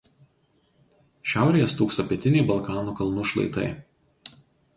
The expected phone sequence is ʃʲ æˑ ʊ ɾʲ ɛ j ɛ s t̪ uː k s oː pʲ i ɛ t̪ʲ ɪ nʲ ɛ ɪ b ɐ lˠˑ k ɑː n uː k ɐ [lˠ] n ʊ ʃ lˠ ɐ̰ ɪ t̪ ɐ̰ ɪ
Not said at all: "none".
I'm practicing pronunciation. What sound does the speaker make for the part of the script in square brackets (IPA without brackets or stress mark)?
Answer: lˠ